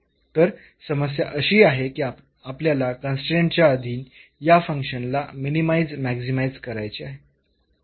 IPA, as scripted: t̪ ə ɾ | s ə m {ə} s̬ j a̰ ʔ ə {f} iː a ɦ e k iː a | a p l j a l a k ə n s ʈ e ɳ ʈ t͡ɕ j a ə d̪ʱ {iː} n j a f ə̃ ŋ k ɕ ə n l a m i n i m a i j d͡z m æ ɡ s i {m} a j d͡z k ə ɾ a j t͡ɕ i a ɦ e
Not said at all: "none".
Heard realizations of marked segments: ə, ɕ, iː, m

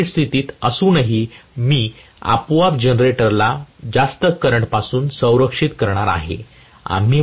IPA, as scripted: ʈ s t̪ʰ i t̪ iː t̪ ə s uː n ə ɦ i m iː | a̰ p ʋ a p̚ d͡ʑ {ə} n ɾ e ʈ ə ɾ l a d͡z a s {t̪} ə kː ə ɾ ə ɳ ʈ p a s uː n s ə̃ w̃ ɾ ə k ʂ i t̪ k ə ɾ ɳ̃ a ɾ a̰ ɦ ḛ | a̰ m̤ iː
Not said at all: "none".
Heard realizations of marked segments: ə, t̪

